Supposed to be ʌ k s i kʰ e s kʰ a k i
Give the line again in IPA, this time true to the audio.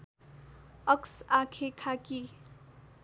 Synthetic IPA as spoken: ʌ k s a kʰ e kʰ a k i